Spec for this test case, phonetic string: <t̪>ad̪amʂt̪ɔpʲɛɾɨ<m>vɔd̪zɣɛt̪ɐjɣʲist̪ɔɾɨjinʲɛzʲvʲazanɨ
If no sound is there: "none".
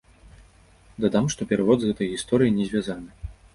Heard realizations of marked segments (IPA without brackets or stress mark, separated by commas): d̪, none